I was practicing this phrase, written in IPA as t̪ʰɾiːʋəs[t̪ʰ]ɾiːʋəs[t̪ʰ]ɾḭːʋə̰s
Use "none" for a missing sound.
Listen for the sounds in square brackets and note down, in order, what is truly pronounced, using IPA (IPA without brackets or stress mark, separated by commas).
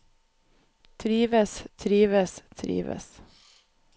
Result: t̪ʰ, t̪ʰ